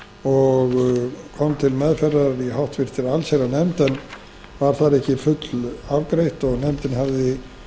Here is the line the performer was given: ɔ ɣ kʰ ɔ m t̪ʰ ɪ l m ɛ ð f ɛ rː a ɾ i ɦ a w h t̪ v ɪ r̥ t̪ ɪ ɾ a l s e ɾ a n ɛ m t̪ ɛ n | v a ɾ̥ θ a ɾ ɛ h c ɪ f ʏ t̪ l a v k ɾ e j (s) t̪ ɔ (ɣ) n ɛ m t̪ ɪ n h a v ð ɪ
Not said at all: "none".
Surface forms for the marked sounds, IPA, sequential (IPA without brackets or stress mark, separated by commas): h, ɣ